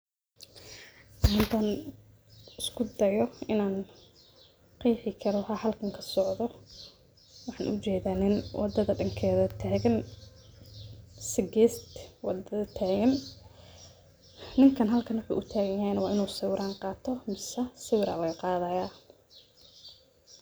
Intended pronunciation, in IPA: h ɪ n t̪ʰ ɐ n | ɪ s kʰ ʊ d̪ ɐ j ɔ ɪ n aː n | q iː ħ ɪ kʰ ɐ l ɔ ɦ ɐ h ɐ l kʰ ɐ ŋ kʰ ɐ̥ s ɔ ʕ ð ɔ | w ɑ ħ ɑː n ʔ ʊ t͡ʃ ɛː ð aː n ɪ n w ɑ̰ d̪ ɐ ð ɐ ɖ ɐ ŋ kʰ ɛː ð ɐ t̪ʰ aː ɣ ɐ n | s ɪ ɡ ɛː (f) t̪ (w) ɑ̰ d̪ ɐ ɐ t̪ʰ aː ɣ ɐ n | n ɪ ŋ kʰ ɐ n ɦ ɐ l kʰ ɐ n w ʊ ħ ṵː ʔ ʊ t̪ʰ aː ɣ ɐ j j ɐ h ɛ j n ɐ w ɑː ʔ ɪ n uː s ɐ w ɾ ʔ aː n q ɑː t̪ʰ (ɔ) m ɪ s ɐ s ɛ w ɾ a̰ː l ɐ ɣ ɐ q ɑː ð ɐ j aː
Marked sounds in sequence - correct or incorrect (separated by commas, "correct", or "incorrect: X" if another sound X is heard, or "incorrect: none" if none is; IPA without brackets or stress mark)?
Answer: incorrect: s, correct, correct